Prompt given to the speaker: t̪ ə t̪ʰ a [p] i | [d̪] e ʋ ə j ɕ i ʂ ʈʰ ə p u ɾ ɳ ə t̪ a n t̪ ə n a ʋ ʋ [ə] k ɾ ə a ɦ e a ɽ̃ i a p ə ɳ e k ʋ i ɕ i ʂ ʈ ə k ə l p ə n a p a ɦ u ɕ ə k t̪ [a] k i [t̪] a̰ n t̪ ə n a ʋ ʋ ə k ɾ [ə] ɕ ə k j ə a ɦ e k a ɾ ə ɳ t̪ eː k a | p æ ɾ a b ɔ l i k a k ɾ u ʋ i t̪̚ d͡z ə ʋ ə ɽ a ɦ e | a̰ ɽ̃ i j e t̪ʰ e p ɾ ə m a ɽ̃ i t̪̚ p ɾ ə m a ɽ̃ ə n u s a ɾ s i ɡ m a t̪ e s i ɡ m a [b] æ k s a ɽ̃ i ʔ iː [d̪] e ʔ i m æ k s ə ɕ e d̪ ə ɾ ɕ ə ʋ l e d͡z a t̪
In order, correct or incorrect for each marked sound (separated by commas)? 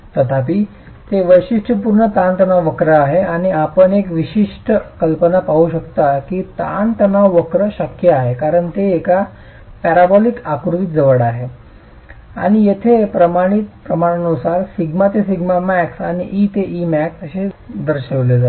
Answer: correct, incorrect, correct, correct, correct, correct, incorrect, incorrect